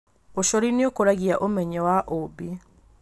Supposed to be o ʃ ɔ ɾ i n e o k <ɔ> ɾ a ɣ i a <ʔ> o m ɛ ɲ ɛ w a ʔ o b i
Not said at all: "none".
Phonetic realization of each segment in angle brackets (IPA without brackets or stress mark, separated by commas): o, ʔ